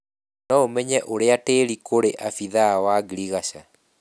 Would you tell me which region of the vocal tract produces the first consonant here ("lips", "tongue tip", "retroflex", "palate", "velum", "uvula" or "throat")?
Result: tongue tip